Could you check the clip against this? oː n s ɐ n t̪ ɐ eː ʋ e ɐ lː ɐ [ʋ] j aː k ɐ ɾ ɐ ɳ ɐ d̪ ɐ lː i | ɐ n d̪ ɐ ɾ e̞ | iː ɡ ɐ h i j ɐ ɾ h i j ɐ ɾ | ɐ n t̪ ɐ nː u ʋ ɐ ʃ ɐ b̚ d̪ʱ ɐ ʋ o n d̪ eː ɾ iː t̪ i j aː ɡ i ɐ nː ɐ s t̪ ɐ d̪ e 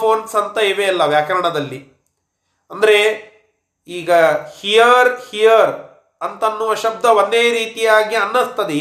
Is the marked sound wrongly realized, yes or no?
no